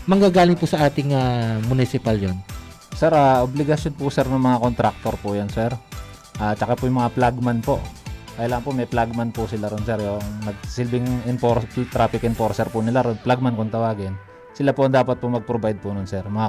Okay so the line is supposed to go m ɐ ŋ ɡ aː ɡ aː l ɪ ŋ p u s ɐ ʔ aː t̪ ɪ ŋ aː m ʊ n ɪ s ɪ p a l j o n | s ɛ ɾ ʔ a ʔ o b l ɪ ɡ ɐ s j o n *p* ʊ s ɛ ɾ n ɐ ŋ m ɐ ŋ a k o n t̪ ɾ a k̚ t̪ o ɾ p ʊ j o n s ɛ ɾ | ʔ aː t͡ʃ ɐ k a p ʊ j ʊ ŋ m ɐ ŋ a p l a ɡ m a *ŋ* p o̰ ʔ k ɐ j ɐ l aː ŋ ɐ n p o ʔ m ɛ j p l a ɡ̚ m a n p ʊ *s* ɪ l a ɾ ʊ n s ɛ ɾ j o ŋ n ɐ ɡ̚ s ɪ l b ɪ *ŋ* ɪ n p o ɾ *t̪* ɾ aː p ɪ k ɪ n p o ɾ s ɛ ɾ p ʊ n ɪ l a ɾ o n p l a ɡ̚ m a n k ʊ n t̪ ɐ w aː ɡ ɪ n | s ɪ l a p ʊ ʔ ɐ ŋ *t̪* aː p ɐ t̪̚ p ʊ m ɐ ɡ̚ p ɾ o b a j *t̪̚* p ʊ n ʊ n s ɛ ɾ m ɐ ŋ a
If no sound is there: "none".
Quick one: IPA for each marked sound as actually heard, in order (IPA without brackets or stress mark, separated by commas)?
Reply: p, n, s, ŋ, t̪, d̪, d̪̚